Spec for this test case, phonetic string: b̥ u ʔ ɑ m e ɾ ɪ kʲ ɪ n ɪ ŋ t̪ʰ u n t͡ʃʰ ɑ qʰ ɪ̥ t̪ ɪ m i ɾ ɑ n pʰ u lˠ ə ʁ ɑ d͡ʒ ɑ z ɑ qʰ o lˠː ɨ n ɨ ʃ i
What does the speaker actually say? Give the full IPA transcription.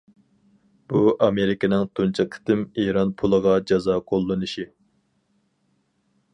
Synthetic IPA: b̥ u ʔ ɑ m e ɾ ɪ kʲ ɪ n ɪ ŋ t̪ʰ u n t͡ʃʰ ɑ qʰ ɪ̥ t̪ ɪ m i ɾ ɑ n pʰ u lˠ ə ʁ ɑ d͡ʒ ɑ z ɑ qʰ o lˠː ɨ n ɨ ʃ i